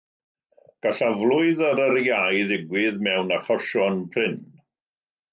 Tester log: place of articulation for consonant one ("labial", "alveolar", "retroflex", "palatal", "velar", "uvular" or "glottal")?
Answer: velar